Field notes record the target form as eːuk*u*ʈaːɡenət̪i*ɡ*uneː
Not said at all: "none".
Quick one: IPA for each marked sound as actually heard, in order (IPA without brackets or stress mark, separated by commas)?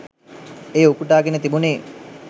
u, b